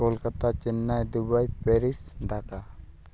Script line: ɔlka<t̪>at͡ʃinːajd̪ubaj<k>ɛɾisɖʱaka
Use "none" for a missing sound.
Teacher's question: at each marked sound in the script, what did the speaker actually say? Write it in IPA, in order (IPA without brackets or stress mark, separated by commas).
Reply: t̪, p